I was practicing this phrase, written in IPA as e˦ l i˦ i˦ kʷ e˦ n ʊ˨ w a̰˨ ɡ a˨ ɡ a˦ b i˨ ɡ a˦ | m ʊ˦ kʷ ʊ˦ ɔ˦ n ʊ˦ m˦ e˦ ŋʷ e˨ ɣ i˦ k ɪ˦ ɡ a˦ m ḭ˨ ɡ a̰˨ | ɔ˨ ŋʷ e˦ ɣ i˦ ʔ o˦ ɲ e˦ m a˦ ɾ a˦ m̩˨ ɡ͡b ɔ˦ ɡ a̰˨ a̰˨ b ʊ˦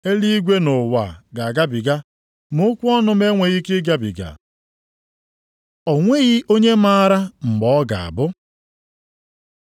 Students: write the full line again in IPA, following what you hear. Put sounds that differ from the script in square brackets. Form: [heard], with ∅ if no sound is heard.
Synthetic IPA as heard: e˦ l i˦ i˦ [ɡʷ] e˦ n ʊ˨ w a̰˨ ɡ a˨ ɡ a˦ b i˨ ɡ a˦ | m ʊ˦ kʷ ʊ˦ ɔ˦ n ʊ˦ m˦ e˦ ŋʷ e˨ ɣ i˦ k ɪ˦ ɡ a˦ [b] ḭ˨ ɡ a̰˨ | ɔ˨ ŋʷ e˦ ɣ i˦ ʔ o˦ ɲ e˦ m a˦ ɾ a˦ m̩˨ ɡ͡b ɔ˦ ɡ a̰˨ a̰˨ b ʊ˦